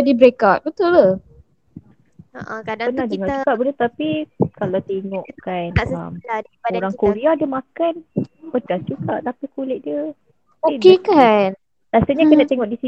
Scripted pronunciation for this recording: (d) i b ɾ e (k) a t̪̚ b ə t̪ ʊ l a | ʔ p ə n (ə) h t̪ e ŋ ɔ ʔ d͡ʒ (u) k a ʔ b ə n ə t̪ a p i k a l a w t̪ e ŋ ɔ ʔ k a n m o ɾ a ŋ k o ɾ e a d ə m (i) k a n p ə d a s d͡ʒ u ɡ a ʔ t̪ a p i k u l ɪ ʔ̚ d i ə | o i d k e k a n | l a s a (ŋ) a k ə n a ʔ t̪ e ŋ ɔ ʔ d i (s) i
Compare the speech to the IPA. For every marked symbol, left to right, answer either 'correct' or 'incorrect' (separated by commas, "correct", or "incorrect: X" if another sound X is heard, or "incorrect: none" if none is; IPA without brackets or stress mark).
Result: correct, correct, incorrect: a, correct, incorrect: a, incorrect: ɲ, correct